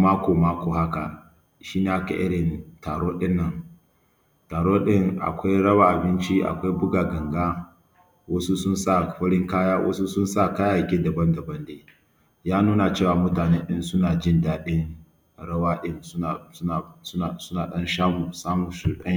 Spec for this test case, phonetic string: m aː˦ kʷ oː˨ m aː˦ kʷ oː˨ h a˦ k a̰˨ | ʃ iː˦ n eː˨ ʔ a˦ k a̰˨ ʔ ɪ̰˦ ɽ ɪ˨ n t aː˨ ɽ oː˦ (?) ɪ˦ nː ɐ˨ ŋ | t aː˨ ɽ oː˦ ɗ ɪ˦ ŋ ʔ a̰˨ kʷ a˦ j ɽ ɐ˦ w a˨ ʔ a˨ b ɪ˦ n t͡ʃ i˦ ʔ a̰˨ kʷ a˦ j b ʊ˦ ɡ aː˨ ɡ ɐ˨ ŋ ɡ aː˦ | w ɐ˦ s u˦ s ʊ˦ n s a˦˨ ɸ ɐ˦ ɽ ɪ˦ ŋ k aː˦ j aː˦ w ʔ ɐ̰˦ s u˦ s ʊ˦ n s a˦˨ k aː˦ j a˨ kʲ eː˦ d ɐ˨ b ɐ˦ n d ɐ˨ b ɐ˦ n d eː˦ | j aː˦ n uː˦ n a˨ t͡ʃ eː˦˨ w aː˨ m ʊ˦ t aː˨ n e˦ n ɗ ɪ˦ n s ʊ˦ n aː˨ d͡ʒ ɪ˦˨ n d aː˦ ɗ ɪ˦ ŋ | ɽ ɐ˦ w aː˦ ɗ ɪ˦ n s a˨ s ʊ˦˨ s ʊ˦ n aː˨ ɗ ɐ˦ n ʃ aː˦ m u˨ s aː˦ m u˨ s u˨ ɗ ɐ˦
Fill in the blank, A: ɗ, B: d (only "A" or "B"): A